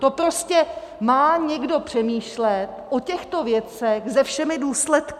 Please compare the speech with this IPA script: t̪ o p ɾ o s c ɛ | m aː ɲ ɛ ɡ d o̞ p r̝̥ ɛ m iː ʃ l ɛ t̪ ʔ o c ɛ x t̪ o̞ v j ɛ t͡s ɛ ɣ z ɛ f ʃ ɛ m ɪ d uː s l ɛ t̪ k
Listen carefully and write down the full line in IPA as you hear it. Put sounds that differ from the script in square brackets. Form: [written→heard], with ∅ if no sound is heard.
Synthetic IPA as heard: t̪ o p ɾ o s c ɛ | m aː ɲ ɛ ɡ d o̞ p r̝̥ ɛ m iː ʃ l ɛ t̪ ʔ o c ɛ x t̪ o̞ v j ɛ t͡s ɛ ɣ z ɛ f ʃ ɛ m ɪ d uː s l ɛ t̪ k